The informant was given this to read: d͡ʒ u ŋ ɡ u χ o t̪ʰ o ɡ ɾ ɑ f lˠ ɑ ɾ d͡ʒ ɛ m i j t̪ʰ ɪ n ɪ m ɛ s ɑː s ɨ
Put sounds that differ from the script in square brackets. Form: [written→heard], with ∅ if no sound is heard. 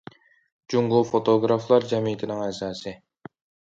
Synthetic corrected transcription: d͡ʒ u ŋ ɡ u [χ→f] o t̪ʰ o ɡ ɾ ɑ f lˠ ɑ ɾ d͡ʒ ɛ m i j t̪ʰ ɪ n ɪ [m→ŋ] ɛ s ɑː s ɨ